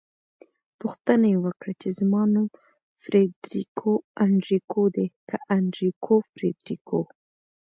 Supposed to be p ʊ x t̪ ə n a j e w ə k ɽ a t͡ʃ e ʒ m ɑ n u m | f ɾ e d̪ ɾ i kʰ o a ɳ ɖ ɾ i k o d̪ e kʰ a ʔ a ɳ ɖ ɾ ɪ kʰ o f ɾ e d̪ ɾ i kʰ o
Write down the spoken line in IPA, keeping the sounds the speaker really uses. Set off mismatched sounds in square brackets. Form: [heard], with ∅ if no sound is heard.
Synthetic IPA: p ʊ x t̪ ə n a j e w ə k ɽ a t͡ʃ e [z] m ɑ n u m | f ɾ e d̪ ɾ i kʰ o a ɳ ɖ ɾ i k o d̪ e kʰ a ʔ a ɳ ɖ ɾ [i] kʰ o f ɾ e d̪ ɾ i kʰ o